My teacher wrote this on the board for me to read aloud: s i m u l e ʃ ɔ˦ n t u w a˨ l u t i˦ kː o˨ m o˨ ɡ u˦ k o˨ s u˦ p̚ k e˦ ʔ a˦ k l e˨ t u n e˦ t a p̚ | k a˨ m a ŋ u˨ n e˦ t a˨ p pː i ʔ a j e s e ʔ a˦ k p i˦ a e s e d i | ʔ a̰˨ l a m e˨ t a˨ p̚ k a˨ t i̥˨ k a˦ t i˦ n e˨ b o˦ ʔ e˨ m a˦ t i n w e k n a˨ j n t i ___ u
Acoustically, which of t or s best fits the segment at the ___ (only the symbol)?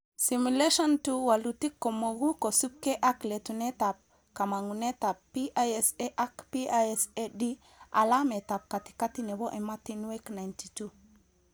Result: t